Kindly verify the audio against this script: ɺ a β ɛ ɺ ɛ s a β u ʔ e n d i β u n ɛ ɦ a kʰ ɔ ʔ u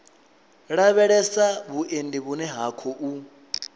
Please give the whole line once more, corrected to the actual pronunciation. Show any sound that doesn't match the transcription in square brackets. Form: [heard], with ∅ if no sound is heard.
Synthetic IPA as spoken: ɺ a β ɛ ɺ ɛ s a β u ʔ e n d i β u n ɛ ɦ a kʰ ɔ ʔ u